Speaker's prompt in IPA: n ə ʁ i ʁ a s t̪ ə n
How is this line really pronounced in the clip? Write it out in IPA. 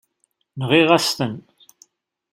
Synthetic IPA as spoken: n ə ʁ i ʁ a s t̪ ə n